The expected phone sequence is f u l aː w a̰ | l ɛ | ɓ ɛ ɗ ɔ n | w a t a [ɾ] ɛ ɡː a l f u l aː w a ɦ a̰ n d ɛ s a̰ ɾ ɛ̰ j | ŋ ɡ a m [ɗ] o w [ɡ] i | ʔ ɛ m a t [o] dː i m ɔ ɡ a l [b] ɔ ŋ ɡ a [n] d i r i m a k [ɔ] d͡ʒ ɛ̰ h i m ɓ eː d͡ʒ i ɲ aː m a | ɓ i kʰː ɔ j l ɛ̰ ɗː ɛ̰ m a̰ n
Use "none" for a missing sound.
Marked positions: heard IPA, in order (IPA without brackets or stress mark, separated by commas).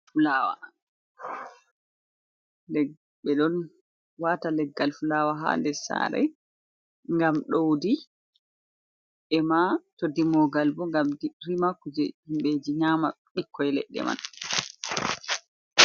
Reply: l, ɗ, d, o, b, m, u